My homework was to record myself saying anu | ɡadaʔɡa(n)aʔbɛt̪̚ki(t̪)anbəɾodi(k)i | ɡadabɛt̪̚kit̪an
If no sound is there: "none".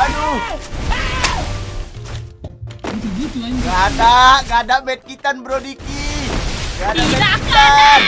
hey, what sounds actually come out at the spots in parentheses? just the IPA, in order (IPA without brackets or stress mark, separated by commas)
d, t̪, k